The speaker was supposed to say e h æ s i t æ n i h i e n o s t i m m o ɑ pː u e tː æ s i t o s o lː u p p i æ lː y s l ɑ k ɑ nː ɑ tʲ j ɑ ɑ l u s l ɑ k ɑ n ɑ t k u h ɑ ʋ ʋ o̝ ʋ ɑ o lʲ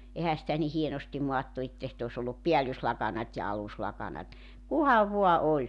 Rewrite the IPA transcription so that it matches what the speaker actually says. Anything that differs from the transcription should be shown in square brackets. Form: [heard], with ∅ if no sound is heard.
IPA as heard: e h æ s i t æ n i h i e n o s t i m m o ɑ [tː] u e tː æ s i t o s o lː u p p i æ lː y s l ɑ k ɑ [n] ɑ tʲ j ɑ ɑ l u s l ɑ k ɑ n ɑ t k u h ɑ ʋ ʋ o̝ [∅] ɑ o lʲ